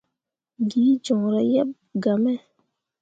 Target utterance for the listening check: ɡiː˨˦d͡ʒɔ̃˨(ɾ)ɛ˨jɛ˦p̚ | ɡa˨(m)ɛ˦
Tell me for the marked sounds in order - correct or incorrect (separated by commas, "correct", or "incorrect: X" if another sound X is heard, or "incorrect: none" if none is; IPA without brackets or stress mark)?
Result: correct, correct